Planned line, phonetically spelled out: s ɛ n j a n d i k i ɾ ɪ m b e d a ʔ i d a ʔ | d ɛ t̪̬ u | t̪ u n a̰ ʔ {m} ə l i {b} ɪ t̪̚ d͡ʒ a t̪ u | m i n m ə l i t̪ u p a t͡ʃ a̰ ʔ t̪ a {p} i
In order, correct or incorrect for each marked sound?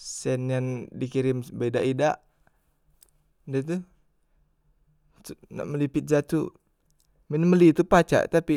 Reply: correct, incorrect: p, correct

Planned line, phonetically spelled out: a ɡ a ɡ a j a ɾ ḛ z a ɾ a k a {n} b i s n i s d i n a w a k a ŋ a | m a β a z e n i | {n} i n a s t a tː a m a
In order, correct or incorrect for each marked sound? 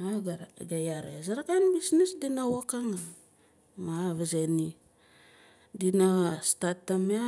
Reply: correct, incorrect: d

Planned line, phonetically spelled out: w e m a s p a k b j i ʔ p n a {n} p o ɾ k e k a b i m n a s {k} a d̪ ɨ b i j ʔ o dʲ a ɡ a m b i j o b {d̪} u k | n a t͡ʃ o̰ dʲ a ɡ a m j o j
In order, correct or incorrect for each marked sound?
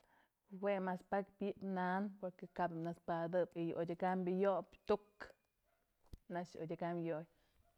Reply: correct, incorrect: p, incorrect: t̪

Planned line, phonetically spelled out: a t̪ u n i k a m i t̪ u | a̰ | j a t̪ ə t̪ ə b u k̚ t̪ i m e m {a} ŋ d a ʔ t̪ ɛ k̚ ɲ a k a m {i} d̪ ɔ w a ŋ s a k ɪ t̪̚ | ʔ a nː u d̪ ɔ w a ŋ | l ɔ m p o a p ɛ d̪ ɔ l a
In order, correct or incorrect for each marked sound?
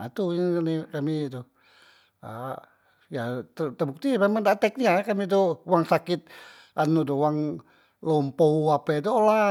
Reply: correct, correct

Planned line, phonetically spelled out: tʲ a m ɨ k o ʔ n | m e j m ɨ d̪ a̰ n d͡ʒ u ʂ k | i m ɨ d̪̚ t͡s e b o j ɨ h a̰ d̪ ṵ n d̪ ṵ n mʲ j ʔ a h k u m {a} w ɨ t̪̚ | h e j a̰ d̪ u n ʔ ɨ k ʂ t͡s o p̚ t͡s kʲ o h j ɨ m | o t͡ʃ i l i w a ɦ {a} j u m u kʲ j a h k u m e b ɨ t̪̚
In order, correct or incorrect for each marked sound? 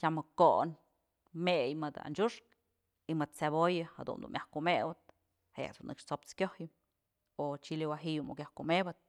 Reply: incorrect: e, incorrect: i

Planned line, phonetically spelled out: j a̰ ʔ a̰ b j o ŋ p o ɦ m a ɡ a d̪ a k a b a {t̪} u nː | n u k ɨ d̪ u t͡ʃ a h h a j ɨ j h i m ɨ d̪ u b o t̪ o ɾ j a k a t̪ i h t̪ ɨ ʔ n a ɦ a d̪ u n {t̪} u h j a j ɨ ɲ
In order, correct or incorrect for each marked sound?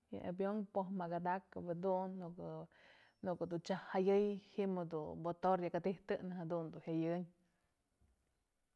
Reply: incorrect: d̪, incorrect: d̪

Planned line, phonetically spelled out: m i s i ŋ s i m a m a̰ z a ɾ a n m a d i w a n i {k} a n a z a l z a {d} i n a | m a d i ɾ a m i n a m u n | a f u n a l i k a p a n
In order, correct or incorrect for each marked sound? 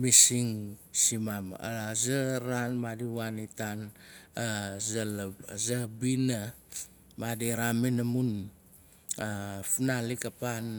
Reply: incorrect: t, incorrect: b

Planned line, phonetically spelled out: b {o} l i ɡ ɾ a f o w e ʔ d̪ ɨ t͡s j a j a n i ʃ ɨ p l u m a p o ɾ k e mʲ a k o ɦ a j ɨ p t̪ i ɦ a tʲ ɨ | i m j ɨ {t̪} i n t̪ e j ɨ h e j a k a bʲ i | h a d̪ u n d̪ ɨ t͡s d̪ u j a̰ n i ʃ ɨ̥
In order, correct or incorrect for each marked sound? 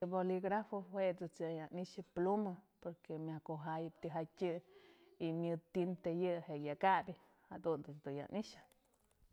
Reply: correct, correct

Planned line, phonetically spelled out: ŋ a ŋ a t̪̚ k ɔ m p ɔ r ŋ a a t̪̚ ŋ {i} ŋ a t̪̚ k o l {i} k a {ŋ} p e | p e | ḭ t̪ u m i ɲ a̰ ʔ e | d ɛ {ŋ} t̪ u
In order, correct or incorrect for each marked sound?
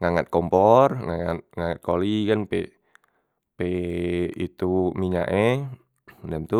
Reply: incorrect: a, correct, incorrect: n, incorrect: m

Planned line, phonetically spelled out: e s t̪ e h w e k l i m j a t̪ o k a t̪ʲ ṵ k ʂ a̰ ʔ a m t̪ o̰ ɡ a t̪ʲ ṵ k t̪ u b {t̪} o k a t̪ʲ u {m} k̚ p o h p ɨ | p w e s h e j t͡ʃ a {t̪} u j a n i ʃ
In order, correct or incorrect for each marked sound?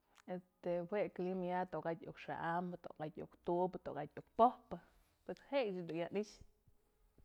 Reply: correct, incorrect: none, incorrect: d̪

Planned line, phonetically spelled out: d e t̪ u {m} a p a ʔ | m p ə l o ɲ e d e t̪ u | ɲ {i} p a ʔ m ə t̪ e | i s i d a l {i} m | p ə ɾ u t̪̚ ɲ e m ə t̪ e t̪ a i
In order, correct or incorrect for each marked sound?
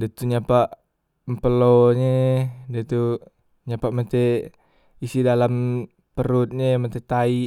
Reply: incorrect: ɲ, incorrect: a, incorrect: a

